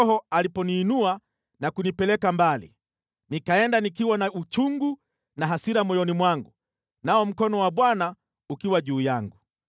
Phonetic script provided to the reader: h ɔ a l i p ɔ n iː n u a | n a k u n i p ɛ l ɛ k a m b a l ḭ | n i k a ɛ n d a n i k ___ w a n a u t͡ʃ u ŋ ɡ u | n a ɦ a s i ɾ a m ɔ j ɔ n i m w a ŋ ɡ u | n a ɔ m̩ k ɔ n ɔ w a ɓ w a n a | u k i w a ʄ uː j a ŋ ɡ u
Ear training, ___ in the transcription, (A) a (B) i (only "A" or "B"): B